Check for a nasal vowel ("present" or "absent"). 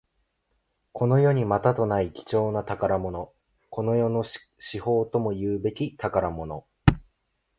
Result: absent